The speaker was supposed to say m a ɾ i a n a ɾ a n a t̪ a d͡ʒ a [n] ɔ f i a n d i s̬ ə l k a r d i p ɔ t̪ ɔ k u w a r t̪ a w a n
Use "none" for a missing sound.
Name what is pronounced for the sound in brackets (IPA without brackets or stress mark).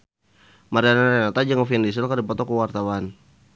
ŋ